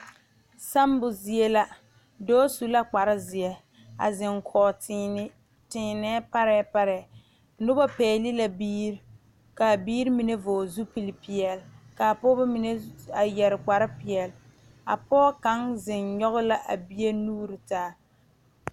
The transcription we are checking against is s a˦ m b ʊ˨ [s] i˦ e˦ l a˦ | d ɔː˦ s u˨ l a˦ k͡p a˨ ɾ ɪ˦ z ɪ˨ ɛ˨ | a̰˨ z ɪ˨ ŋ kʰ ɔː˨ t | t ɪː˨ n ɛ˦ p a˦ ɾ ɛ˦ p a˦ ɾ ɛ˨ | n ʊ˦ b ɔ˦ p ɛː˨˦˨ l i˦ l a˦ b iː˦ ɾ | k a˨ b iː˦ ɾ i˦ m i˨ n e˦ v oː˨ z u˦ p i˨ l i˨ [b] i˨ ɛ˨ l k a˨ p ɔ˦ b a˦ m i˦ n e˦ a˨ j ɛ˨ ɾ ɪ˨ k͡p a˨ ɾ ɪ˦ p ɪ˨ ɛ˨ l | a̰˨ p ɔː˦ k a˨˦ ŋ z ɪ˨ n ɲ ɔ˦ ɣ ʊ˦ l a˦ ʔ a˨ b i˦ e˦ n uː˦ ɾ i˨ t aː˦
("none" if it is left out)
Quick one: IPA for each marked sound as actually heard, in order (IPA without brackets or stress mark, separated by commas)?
z, p